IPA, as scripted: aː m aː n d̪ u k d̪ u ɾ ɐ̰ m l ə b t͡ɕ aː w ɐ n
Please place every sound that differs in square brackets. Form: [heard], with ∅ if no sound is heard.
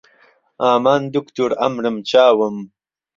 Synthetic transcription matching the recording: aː m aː n d̪ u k [t̪] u ɾ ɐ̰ m [ɾ] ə [m] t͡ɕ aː w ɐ [m]

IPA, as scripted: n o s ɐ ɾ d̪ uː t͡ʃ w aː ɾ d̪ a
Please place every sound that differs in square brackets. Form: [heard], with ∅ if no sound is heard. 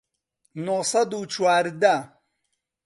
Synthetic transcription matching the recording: n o s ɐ [∅] d̪ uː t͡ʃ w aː ɾ d̪ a

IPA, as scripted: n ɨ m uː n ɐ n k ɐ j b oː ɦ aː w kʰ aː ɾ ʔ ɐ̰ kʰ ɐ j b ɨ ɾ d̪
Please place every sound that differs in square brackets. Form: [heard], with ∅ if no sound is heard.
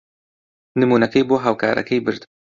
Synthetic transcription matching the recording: n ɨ m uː n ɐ [∅] k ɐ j b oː ɦ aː w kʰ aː ɾ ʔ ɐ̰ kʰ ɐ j b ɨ ɾ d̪

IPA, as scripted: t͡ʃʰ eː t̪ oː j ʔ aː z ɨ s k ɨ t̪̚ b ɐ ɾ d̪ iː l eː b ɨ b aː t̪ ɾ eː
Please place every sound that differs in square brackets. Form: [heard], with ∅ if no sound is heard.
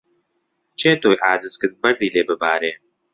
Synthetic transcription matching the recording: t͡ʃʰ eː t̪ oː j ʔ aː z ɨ s k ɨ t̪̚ b ɐ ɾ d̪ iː l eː b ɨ b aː [∅] ɾ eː

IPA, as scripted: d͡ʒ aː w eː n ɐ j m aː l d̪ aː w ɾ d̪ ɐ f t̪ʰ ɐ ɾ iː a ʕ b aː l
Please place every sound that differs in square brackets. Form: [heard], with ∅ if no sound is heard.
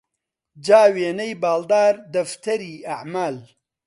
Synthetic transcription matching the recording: d͡ʒ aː w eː n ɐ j [b] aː l d̪ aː [∅] ɾ d̪ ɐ f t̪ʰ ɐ ɾ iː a ʕ [m] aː l

